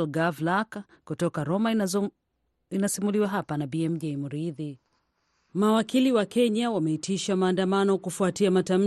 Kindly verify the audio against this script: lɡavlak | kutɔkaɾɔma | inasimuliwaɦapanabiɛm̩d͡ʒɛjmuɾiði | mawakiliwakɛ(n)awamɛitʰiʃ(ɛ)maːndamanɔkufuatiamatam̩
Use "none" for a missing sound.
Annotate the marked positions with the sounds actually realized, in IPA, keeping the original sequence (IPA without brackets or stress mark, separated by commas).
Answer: ɲ, a